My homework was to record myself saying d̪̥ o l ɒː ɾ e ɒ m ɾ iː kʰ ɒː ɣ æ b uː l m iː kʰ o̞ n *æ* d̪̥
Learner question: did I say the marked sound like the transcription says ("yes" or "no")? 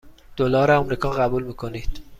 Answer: no